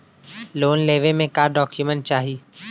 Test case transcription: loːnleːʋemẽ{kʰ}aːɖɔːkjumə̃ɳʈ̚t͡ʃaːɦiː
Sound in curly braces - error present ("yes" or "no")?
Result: yes